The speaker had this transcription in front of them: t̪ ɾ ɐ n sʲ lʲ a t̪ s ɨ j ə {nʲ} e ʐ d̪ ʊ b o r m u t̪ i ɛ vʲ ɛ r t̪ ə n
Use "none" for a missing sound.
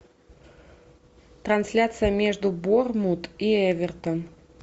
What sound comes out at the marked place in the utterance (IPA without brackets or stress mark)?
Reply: mʲ